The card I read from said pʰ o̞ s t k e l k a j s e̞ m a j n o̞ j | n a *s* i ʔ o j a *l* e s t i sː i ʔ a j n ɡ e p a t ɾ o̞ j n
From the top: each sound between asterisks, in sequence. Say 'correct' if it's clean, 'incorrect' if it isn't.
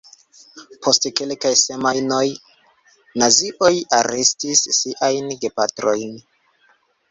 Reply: incorrect: z, incorrect: ɾ

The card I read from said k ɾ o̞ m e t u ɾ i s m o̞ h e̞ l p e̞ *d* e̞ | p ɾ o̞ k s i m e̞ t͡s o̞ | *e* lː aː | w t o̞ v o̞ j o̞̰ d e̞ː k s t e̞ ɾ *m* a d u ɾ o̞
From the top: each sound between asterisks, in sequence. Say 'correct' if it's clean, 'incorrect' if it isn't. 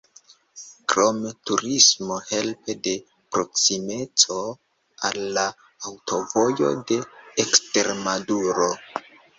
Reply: correct, incorrect: a, correct

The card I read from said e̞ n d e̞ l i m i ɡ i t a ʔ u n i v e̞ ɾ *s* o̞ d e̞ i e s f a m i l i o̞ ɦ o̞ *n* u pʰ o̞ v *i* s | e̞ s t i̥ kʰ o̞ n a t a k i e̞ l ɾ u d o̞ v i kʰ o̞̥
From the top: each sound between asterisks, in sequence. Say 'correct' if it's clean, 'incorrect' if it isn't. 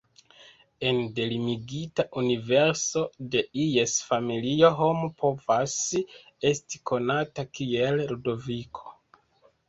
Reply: correct, incorrect: m, incorrect: a

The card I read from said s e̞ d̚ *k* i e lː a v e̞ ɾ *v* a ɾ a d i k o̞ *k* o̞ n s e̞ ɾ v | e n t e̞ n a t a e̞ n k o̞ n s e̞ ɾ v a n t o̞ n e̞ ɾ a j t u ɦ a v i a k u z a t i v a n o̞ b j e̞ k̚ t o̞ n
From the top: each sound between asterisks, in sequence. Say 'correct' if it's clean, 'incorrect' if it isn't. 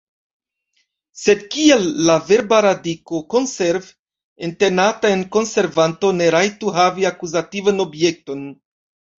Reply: correct, incorrect: b, correct

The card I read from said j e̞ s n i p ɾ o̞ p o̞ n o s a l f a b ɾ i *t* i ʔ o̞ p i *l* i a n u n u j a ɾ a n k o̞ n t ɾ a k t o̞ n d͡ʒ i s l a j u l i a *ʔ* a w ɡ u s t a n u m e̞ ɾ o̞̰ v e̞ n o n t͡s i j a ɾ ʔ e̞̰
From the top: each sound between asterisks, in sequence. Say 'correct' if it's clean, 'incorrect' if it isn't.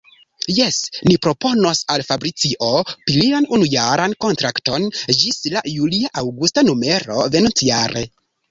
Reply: incorrect: t͡s, correct, correct

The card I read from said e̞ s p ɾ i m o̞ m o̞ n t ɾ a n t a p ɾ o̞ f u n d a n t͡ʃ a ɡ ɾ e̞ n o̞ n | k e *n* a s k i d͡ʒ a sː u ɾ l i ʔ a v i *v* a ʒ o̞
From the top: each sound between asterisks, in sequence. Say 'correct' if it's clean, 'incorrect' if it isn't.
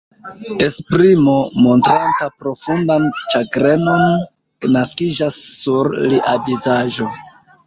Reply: correct, incorrect: z

